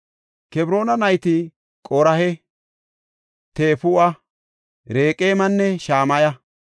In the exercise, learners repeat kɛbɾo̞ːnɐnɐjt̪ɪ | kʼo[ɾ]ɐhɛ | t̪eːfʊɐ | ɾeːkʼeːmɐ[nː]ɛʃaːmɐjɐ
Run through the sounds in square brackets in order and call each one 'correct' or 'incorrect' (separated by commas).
correct, correct